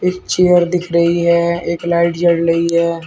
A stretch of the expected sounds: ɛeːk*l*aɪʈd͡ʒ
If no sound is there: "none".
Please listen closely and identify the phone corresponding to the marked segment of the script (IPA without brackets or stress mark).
l